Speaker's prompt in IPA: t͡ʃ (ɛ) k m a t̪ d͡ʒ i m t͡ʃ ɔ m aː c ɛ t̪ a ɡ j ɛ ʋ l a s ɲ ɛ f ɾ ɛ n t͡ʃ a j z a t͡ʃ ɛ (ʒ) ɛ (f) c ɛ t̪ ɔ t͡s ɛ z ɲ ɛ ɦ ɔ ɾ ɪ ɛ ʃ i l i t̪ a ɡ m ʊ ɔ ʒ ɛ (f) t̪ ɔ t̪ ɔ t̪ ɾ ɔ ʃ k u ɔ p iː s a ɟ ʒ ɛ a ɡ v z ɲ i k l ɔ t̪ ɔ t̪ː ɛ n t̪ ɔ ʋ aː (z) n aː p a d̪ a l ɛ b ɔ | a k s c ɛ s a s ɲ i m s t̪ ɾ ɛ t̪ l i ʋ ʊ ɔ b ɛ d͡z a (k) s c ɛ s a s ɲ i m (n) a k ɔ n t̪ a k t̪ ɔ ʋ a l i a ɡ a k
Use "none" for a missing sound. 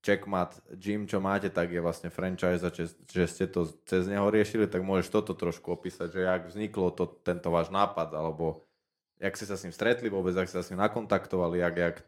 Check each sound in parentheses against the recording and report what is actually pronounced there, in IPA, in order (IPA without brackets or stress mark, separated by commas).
ɛ, ʒ, s, ʃ, ʒ, k, n